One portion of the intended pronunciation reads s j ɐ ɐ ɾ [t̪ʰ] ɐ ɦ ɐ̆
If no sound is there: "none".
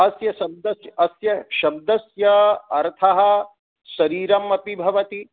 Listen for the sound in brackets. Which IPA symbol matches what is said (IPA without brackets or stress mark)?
t̪ʰ